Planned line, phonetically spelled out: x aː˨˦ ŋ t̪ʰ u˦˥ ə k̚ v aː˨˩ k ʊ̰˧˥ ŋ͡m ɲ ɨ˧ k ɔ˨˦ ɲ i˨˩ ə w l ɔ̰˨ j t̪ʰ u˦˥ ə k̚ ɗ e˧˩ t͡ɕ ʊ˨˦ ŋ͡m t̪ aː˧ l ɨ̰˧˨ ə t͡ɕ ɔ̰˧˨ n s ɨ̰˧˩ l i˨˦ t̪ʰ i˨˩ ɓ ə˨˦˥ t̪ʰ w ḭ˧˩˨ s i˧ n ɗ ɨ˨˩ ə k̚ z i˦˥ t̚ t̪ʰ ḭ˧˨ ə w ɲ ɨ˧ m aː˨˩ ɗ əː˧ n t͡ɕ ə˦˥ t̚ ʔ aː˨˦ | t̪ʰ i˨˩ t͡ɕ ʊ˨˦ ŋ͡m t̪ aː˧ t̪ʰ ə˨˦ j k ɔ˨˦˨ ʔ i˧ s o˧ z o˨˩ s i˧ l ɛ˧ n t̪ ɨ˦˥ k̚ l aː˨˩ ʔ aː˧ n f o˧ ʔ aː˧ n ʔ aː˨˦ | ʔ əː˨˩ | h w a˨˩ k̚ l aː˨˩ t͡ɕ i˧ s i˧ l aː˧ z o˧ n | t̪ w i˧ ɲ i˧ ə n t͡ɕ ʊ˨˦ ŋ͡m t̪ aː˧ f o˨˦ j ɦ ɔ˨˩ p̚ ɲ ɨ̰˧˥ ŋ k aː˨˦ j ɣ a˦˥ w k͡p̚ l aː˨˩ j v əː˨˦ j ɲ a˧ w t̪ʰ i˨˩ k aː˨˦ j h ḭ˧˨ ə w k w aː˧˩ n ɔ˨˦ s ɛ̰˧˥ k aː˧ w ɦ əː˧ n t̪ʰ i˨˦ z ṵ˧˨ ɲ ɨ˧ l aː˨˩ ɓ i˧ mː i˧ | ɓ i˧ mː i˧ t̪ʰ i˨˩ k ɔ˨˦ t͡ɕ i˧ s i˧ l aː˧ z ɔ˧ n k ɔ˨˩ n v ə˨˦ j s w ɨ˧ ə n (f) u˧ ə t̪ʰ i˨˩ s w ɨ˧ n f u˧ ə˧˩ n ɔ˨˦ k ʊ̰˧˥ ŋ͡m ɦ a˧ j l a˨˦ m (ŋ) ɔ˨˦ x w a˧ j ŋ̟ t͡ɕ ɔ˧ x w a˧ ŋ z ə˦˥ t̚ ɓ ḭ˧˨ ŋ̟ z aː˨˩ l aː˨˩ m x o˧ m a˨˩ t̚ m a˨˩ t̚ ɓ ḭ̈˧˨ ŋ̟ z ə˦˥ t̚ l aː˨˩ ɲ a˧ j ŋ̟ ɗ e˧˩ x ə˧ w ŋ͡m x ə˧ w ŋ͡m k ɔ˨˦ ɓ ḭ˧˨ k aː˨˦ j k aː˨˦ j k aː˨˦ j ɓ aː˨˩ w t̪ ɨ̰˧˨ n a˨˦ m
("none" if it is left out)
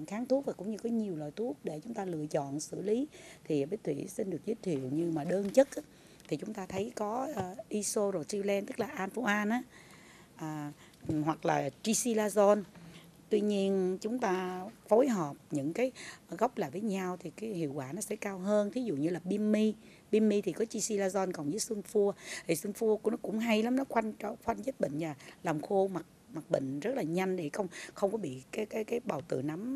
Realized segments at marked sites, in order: f, n

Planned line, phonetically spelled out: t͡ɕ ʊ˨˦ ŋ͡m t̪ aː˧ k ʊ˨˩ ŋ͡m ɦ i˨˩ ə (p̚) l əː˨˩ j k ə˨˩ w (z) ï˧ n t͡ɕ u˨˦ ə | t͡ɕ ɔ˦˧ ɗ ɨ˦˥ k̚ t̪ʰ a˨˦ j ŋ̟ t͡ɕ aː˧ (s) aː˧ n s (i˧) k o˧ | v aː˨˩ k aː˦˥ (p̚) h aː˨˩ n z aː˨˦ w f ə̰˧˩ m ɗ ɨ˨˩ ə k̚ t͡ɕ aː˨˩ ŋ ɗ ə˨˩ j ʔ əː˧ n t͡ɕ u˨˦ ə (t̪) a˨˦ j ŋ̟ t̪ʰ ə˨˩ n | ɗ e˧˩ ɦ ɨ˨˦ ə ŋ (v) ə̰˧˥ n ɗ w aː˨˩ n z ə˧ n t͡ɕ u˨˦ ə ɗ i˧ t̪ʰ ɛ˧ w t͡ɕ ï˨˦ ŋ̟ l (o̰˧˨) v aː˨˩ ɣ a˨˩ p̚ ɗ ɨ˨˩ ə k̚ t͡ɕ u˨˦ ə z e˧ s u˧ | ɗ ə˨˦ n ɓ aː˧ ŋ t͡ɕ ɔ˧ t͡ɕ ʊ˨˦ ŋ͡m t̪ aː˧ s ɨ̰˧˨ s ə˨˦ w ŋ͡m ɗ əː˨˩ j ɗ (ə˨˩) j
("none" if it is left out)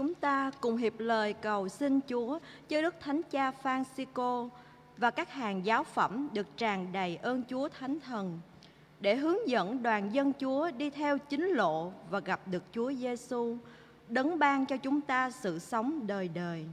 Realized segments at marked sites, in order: p̚, s, f, i˧, k̚, t̪ʰ, z, o̰˧˨, əː˨˩

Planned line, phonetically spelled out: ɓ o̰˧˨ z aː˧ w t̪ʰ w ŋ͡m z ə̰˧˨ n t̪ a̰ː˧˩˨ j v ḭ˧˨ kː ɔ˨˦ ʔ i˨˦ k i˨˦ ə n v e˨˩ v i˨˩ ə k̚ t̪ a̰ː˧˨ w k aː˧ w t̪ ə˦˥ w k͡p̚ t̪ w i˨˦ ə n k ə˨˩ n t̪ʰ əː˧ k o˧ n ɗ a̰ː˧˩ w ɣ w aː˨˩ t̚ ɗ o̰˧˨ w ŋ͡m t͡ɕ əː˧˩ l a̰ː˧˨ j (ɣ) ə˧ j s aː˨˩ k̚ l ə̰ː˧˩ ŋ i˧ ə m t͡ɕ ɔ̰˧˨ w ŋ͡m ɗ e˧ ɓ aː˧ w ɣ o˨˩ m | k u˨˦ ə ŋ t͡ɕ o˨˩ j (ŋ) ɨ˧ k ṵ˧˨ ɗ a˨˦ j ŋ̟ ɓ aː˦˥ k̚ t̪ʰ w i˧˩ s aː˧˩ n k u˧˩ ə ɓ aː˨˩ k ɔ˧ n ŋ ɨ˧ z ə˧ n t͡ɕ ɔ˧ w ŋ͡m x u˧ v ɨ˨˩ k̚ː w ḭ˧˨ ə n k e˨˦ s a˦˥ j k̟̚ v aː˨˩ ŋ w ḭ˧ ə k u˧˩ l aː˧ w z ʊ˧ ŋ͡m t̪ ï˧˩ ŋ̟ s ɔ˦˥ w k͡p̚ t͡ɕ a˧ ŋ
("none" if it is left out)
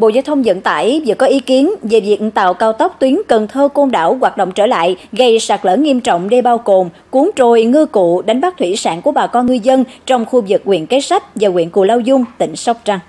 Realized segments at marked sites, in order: ɣ, ŋ

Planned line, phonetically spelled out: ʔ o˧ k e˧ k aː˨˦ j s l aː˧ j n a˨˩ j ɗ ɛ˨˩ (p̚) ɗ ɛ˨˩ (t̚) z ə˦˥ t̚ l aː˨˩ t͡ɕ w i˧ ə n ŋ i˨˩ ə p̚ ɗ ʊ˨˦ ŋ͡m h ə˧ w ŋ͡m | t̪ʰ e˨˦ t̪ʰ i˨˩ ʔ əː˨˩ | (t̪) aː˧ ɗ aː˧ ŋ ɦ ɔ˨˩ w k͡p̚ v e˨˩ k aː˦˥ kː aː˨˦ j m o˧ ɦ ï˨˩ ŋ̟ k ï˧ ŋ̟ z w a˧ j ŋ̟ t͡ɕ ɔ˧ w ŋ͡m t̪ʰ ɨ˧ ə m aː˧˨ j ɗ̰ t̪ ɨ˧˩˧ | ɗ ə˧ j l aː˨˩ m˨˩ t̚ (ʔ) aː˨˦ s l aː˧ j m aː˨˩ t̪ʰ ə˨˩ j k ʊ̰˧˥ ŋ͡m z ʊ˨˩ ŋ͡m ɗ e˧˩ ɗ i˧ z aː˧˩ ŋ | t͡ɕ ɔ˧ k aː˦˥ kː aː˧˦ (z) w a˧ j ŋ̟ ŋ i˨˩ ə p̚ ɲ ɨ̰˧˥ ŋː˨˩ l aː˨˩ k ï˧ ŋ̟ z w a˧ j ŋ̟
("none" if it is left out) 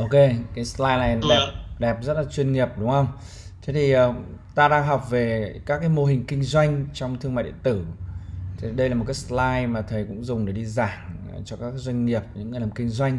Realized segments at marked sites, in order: p̚, p̚, t̪, k, z

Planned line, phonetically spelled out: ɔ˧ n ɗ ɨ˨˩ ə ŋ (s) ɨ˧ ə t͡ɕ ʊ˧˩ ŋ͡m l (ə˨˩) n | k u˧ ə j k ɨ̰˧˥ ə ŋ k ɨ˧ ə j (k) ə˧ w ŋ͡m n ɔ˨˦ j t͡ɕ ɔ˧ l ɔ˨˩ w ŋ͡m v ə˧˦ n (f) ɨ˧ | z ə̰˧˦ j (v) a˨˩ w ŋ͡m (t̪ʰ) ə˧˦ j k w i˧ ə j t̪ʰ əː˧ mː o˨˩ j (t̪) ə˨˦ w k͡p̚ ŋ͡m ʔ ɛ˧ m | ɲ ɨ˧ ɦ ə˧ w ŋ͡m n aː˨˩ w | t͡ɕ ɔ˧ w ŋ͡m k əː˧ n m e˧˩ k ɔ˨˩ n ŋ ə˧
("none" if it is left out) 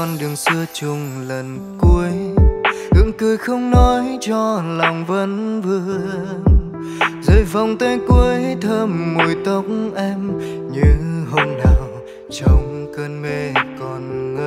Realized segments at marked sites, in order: s, ə˨˩, x, v, v, t̪, t̪

